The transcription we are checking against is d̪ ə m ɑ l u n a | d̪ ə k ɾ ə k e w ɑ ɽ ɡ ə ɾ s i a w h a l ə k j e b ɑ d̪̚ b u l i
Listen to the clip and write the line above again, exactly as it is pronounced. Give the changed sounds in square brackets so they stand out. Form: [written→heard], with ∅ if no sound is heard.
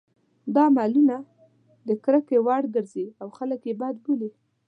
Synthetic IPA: d̪ [ə→ɑ] m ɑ l u n a | d̪ ə k ɾ ə k e w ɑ ɽ ɡ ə ɾ [s→z] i a w [h→x] a l ə k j e b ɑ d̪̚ b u l i